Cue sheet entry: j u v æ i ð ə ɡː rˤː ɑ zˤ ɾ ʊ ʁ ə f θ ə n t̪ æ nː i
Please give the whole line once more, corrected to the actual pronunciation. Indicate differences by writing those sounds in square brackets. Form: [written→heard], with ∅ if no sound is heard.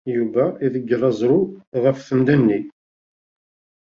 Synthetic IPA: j u v æ i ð ə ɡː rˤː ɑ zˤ ɾ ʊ ʁ ə f θ ə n [t̪→d̪] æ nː i